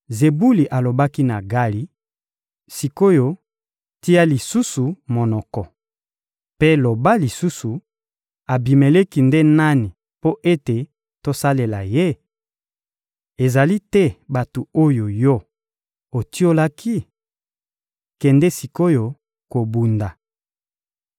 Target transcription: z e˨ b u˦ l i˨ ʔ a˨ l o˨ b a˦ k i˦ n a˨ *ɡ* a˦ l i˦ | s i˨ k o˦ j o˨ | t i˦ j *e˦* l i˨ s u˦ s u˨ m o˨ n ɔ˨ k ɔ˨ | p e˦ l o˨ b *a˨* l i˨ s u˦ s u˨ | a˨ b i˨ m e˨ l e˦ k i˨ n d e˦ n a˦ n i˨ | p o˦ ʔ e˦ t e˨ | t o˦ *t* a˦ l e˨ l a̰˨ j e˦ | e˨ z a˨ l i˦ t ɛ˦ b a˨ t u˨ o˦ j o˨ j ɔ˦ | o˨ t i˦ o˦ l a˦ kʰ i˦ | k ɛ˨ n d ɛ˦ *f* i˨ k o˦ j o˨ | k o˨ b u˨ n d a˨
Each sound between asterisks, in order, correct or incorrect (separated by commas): correct, incorrect, incorrect, incorrect, incorrect